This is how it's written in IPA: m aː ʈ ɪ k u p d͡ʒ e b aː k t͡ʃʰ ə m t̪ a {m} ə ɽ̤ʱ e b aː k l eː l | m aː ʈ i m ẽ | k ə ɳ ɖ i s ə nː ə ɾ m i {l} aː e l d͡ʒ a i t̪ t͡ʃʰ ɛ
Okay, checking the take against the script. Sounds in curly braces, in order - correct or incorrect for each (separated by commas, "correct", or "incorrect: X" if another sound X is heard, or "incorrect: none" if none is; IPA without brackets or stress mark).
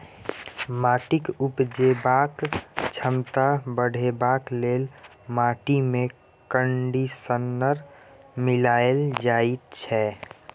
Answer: incorrect: b, correct